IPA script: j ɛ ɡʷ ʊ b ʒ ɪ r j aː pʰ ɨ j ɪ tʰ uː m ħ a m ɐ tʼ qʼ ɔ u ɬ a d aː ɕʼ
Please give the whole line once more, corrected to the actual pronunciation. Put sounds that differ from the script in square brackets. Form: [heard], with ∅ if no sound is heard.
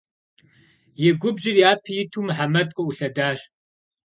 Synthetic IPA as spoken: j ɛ ɡʷ ʊ b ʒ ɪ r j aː pʰ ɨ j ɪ tʰ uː m ħ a m ɐ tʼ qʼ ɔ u ɬ [ɐ] d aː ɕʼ